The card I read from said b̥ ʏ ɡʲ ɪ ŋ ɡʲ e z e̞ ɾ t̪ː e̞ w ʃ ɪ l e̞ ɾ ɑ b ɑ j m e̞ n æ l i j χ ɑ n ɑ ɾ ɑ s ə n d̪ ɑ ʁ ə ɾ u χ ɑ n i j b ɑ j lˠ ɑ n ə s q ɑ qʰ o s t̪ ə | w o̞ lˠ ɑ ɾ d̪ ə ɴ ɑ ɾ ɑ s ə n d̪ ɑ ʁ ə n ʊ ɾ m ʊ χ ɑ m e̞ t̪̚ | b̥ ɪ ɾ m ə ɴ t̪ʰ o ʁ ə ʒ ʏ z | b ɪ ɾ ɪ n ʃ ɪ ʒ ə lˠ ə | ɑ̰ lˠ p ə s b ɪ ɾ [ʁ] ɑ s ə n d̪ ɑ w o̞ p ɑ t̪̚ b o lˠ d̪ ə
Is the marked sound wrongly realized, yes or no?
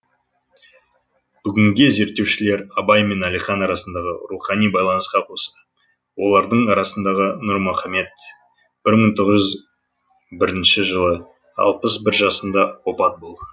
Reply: yes